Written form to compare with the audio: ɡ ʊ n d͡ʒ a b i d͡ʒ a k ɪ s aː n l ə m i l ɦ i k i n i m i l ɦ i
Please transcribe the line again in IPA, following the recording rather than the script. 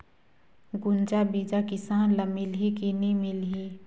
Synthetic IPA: ɡ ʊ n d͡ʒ a b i d͡ʒ a k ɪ s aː n l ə m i l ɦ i k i n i m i l ɦ i

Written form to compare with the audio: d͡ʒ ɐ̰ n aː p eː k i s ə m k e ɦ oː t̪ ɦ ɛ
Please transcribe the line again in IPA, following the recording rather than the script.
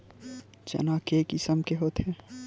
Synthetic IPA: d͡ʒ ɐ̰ n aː k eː k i s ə m k e ɦ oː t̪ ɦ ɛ

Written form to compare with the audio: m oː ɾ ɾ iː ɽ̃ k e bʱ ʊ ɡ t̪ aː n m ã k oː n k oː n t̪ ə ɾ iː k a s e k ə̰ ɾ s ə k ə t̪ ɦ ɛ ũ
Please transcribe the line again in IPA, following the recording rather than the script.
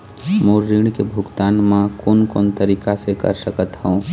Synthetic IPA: m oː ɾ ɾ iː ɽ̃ k e bʱ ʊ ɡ t̪ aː n m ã k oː n k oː n t̪ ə ɾ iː k a s e k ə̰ ɾ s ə k ə t̪ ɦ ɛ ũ

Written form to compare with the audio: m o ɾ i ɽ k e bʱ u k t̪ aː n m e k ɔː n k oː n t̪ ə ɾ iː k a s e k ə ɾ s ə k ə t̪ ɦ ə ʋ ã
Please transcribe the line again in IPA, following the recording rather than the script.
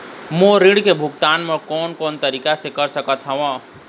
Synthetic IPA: m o ɾ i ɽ k e bʱ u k t̪ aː n m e k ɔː n k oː n t̪ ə ɾ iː k a s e k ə ɾ s ə k ə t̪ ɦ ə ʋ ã

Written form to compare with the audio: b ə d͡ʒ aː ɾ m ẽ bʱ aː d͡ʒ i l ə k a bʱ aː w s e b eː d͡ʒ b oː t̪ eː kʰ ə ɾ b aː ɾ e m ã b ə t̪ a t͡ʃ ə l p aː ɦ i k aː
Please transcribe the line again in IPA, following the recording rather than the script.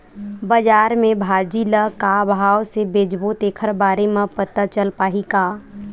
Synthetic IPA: b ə d͡ʒ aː ɾ m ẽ bʱ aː d͡ʒ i l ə k a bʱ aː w s e b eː d͡ʒ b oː t̪ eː kʰ ə ɾ b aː ɾ e m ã p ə t̪ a t͡ʃ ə l p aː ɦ i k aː

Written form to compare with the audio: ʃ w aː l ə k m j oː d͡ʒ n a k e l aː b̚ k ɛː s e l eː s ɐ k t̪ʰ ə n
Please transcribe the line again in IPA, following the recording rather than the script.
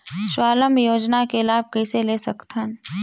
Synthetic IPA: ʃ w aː l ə m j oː d͡ʒ n a k e l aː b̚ k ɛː s e l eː s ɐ k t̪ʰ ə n

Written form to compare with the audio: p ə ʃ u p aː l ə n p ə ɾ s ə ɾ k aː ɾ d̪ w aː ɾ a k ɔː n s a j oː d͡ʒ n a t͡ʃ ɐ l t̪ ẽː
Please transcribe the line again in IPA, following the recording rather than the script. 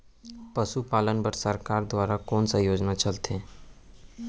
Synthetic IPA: p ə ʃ u p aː l ə n b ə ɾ s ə ɾ k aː ɾ d̪ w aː ɾ a k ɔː n s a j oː d͡ʒ n a t͡ʃ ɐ l t̪ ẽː

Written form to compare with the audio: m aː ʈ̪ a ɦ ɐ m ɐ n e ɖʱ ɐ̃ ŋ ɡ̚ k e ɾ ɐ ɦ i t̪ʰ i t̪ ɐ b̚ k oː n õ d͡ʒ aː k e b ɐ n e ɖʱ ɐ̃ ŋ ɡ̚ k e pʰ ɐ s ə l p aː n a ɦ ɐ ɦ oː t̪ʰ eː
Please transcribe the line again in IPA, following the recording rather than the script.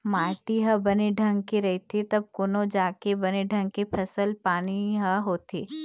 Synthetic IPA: m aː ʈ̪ i ɦ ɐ b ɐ n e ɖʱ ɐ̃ ŋ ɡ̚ k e ɾ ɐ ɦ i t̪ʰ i t̪ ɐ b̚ k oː n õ d͡ʒ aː k e b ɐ n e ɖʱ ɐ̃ ŋ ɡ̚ k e pʰ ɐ s ə l p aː n i ɦ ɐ ɦ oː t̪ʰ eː

